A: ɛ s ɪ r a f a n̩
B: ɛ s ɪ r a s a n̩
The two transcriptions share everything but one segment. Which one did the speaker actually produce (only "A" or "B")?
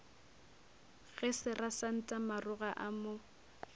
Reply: B